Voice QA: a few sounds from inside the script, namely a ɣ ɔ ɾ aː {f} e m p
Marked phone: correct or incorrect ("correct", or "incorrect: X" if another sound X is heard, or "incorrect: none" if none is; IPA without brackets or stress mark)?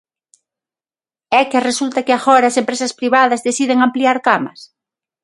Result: incorrect: s